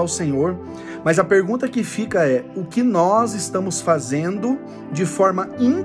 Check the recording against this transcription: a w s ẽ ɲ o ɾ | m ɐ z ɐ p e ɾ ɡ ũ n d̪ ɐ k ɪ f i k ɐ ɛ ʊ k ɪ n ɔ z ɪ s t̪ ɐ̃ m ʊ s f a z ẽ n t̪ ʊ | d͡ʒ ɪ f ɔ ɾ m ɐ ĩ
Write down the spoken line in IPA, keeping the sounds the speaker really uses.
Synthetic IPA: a w s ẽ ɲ o ɾ | m ɐ z ɐ p e ɾ ɡ ũ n t̪ ɐ k ɪ f i k ɐ ɛ ʊ k ɪ n ɔ z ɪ s t̪ ɐ̃ m ʊ s f a z ẽ n d̪ ʊ | d͡ʒ ɪ f ɔ ɾ m ɐ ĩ